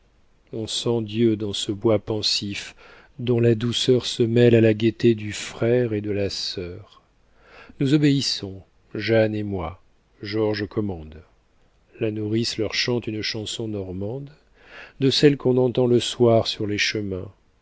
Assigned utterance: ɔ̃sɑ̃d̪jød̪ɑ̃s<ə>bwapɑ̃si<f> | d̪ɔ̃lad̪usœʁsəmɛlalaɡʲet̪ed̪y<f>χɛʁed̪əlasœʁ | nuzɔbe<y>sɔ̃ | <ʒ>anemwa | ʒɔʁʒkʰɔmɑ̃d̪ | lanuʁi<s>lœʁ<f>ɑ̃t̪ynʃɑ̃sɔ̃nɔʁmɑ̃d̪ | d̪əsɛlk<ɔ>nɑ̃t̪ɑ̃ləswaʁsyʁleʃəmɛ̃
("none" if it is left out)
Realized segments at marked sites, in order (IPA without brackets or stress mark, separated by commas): ə, f, f, i, ʒ, s, ʃ, ɔ̃